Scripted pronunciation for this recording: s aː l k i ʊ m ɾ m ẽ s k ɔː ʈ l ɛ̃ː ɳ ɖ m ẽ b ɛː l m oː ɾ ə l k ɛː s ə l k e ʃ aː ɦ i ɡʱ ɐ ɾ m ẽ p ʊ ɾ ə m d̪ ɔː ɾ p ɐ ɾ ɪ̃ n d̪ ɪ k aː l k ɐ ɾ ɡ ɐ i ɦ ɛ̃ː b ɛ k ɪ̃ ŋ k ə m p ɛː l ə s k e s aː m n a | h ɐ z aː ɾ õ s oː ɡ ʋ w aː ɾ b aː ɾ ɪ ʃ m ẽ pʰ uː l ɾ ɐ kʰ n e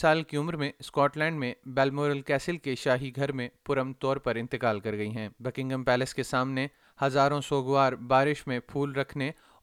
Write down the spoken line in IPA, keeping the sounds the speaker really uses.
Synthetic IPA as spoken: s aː l k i ʊ m ɾ m ẽ s k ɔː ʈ l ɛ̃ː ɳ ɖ m ẽ b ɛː l m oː ɾ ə l k ɛː s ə l k e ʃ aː ɦ i ɡʱ ɐ ɾ m ẽ p ʊ ɾ ə m t̪ ɔː ɾ p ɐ ɾ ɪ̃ n t̪ ɪ k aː l k ɐ ɾ ɡ ɐ i ɦ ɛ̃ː b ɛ k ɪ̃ ŋ ɡ ə m p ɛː l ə s k e s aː m n e | h ɐ z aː ɾ õ s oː ɡ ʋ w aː ɾ b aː ɾ ɪ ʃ m ẽ pʰ uː l ɾ ɐ kʰ n e